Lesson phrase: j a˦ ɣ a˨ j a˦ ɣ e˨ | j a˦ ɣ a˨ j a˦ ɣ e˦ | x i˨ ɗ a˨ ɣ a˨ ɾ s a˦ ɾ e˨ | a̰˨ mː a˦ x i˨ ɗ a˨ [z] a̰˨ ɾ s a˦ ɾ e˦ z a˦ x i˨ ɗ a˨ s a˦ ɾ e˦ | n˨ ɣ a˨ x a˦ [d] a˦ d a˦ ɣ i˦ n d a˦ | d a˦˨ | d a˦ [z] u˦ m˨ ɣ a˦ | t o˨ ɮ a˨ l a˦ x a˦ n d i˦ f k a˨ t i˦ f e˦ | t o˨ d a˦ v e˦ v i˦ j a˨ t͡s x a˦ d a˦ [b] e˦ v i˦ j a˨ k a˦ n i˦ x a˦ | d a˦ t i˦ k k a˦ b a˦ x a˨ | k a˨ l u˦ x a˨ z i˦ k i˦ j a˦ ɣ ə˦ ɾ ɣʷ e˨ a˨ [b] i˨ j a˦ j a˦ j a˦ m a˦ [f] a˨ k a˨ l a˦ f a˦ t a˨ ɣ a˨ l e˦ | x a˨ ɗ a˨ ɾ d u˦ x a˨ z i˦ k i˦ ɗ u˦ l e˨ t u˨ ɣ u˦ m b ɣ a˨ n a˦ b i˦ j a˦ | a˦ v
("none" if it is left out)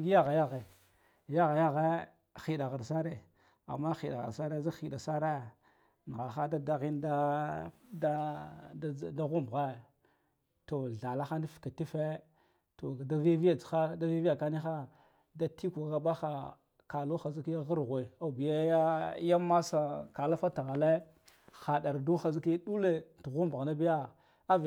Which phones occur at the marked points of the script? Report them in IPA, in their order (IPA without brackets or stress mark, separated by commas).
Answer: ɣ, d, ɣ, v, b, s